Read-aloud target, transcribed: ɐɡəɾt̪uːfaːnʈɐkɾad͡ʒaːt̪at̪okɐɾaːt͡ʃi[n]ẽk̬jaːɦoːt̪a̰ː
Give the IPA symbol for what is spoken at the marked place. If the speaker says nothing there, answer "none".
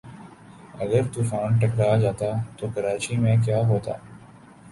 m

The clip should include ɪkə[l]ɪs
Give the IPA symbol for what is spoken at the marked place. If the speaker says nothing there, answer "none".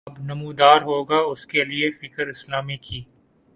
ɾ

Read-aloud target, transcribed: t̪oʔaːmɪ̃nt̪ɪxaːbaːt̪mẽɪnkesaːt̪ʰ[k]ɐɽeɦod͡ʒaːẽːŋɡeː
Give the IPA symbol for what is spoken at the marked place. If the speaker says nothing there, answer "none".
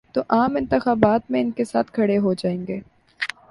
kʰ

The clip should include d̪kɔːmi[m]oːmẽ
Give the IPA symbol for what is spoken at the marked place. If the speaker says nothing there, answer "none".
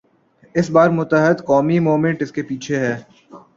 m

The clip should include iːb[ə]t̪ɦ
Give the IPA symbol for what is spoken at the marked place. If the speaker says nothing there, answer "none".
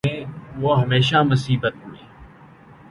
ə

